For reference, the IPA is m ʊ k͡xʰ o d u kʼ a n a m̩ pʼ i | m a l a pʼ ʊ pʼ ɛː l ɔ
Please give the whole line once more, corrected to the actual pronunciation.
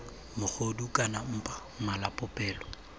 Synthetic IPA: m ʊ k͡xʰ o d u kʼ a n a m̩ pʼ a | m a l a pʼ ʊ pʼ ɛː l ɔ